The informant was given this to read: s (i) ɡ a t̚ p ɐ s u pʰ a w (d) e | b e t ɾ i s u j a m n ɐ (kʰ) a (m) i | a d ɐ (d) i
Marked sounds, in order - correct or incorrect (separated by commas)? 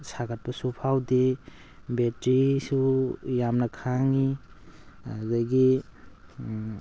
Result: incorrect, correct, correct, incorrect, incorrect